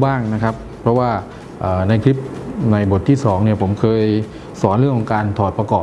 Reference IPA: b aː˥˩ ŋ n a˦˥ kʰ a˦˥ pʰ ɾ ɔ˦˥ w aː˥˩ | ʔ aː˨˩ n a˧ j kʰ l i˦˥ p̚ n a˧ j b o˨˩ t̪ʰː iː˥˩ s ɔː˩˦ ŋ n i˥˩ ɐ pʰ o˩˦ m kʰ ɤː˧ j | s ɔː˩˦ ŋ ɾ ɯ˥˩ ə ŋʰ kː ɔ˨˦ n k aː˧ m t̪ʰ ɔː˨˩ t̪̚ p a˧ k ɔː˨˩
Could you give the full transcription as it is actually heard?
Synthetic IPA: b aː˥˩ ŋ n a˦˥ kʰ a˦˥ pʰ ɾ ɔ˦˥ w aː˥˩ | ʔ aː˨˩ n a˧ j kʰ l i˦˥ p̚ n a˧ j b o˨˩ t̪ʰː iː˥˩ s ɔː˩˦ ŋ n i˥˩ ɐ pʰ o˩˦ m kʰ ɤː˧ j | s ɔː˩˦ n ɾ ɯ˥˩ ə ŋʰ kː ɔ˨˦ ŋ k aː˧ n t̪ʰ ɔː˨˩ t̪̚ p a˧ k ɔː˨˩